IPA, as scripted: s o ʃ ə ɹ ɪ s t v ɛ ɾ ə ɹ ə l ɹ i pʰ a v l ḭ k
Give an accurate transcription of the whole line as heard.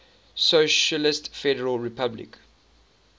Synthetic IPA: s o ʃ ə l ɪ s t f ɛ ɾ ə ɹ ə l ɹ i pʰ a b l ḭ k